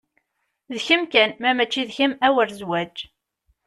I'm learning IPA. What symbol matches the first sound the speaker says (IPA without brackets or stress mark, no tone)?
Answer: ð